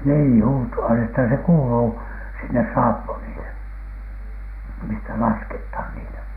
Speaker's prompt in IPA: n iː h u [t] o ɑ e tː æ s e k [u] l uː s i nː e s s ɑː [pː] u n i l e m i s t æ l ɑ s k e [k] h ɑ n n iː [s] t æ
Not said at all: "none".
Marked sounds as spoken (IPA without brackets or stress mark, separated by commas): t, uː, pː, t, none